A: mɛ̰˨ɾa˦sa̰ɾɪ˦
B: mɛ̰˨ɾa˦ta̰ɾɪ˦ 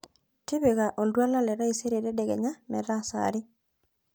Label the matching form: A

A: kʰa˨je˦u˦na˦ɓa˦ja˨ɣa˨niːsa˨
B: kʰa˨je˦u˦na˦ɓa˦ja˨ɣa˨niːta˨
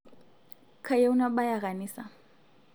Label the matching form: A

